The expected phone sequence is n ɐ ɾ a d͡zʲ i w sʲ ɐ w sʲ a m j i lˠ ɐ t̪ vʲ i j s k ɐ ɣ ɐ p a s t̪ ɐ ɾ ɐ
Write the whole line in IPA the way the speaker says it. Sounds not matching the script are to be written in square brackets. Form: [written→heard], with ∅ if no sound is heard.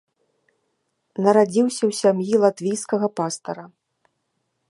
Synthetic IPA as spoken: n ɐ ɾ a d͡zʲ i w sʲ ɐ w sʲ a m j i lˠ [ɐ→a] t̪ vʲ i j s k ɐ ɣ ɐ p a s t̪ ɐ ɾ ɐ